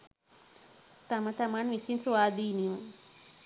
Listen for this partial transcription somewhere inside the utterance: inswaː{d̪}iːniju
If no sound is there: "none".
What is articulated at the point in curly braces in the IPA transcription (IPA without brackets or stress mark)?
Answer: d̪